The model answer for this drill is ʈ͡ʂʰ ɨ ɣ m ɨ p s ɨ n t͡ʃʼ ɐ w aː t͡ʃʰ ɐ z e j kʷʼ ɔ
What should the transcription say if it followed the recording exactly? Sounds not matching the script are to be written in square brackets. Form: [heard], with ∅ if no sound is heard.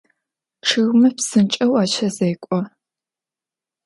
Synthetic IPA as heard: ʈ͡ʂʰ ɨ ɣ m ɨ p s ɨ n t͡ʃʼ ɐ w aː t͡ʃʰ ɐ z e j kʷʼ ɔ